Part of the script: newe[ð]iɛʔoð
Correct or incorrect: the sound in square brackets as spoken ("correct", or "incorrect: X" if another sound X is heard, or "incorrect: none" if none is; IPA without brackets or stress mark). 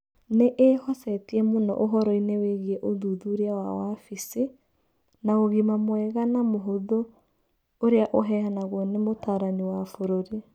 incorrect: ɣ